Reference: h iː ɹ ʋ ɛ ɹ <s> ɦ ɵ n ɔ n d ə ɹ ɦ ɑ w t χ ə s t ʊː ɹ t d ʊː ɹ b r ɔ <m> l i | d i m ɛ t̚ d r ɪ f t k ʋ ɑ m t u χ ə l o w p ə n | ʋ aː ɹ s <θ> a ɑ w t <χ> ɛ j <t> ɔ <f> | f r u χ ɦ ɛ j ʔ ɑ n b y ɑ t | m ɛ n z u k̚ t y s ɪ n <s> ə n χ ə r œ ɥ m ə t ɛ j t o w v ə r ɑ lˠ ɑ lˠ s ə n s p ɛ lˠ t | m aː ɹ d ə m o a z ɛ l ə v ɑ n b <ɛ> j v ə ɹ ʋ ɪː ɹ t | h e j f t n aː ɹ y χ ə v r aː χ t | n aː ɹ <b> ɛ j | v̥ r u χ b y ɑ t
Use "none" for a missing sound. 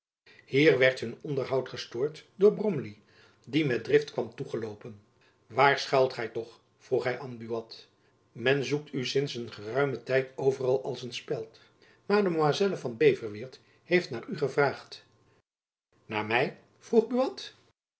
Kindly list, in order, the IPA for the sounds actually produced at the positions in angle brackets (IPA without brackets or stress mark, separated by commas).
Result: t, m, χ, χ, t, χ, s, e, m